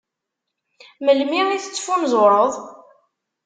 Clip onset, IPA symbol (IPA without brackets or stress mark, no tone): m